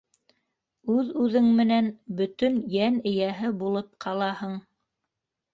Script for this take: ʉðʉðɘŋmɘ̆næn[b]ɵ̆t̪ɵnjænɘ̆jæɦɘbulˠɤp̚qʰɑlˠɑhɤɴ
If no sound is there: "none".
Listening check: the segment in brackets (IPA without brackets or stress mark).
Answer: b